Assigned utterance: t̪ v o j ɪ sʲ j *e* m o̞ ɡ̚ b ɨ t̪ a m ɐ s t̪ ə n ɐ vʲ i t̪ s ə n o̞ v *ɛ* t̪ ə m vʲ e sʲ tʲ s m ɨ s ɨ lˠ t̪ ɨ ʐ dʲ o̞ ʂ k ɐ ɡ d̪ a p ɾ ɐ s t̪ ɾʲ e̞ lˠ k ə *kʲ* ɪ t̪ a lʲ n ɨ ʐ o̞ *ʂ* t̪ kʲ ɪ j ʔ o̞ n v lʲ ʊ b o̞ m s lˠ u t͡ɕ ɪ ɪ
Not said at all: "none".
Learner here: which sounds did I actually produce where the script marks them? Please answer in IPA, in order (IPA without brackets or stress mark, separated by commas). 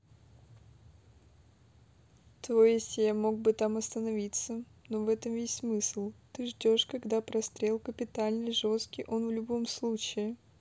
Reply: a, ɛ, pʲ, s